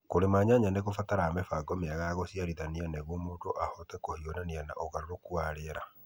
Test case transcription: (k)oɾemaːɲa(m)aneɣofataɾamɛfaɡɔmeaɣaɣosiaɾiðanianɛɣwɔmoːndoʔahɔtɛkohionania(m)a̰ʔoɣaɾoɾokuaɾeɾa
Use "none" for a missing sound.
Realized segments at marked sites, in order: k, ɲ, n

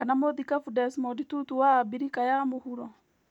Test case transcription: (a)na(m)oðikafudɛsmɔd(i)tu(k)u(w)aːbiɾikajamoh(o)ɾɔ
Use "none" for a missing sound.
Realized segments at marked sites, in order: a, m, i, t, w, u

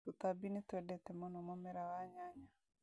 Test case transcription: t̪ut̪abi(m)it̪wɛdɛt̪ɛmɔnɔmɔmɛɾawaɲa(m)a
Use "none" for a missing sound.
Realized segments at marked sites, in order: n, ɲ

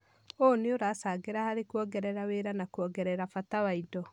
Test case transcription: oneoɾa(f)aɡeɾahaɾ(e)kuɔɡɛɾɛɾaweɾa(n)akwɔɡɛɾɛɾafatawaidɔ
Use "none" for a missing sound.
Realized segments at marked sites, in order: s, e, n

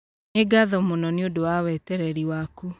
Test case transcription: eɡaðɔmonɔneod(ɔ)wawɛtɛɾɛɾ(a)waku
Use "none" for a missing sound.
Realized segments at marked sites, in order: o, i

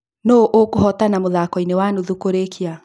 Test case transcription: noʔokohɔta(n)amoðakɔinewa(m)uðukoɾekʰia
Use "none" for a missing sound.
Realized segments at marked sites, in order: n, n

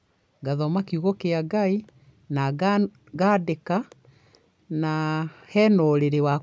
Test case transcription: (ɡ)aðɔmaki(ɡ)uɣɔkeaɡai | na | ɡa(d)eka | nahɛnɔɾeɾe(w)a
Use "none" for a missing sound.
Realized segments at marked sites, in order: ɡ, none, d, w

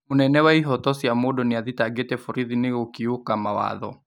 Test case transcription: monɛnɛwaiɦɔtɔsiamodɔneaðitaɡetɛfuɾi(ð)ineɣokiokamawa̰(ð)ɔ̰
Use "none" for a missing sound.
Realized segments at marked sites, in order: ð, ð

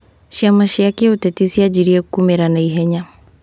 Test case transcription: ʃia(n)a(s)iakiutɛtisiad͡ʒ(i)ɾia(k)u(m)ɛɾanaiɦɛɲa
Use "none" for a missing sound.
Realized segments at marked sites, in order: m, ʃ, i, k, m

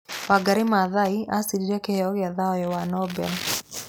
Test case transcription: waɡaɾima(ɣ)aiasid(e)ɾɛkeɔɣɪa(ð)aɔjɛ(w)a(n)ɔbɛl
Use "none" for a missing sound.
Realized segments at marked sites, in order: ð, i, ð, w, n

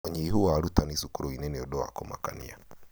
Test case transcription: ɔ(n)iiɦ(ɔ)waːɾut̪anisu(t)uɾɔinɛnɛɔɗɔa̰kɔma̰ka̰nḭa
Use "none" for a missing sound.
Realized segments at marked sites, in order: ɲ, u, k

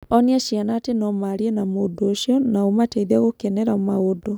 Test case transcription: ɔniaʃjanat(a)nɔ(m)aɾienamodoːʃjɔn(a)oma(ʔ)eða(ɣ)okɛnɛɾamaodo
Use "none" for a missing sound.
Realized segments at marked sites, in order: e, m, a, t, ɣ

